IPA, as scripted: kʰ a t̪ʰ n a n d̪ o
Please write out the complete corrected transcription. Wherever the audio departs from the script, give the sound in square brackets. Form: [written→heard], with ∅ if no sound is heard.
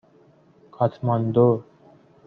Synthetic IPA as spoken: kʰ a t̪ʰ [n→m] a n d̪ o